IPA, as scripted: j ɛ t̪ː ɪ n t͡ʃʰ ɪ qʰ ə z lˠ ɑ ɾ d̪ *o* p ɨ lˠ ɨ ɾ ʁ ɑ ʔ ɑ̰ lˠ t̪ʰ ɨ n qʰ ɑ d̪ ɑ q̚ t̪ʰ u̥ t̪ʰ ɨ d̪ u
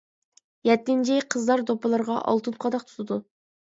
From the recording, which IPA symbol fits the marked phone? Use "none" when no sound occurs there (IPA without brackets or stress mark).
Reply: o